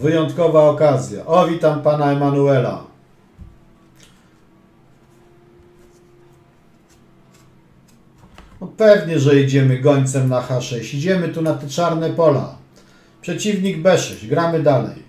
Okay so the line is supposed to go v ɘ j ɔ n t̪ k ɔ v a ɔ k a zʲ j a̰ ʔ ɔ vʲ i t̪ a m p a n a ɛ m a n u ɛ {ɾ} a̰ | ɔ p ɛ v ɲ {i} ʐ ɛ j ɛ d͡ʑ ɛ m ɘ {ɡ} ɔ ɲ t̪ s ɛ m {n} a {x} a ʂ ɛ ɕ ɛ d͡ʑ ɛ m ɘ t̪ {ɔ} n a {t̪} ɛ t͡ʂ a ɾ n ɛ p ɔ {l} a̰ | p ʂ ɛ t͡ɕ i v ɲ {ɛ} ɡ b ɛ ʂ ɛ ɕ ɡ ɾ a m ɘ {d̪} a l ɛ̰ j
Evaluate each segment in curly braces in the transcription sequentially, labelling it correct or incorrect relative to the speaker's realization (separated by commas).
incorrect, incorrect, correct, correct, correct, incorrect, correct, correct, incorrect, correct